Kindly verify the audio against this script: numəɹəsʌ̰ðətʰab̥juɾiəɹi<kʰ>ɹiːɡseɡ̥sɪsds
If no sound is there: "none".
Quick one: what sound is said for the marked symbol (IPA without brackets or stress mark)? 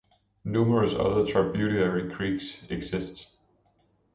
kʰ